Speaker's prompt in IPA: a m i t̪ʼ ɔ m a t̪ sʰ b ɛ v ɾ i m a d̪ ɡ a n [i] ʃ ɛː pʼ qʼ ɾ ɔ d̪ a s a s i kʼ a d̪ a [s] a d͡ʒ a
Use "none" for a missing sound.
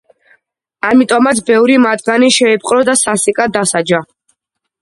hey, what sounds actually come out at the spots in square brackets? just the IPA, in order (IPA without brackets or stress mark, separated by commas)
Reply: i, s